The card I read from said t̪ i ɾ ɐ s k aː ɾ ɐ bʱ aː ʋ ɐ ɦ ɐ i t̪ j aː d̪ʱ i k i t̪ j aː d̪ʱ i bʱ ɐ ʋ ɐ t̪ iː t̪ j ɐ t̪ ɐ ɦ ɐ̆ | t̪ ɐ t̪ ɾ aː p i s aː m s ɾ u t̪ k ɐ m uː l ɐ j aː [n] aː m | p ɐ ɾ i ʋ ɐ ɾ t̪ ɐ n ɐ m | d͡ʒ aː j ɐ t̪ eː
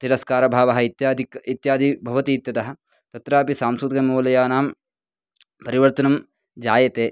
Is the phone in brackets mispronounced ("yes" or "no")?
no